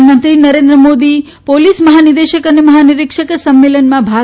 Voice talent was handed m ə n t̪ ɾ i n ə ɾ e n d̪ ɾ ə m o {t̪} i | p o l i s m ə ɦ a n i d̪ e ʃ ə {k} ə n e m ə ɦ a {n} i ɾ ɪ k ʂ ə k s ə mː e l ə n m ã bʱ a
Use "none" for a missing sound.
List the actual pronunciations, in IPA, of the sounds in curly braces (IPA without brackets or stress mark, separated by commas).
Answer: d̪, k, n